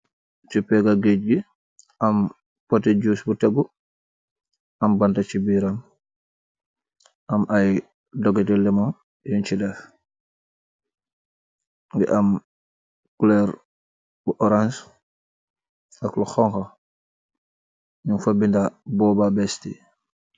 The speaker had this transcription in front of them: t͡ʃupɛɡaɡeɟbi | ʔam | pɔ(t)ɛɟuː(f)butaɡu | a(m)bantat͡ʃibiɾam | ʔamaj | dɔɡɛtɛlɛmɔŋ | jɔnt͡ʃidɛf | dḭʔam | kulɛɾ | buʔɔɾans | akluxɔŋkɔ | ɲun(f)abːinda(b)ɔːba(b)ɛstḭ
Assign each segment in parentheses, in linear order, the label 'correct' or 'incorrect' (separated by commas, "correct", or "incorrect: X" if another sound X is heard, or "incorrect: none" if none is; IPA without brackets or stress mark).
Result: correct, incorrect: s, correct, correct, correct, correct